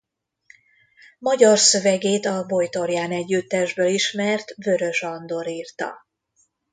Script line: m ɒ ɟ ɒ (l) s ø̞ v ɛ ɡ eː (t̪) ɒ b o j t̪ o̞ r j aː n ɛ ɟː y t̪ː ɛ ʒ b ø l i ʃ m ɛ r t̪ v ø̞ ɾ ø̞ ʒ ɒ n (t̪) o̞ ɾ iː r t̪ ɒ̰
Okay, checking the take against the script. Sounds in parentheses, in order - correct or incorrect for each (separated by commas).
incorrect, correct, incorrect